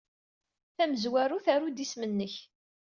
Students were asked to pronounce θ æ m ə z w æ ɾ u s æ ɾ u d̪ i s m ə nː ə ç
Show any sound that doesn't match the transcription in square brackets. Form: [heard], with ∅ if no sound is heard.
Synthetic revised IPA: θ æ m ə z w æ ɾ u [θ] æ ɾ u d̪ i s m ə nː ə ç